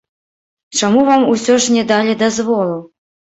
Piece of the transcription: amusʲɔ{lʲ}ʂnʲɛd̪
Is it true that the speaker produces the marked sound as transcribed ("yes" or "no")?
no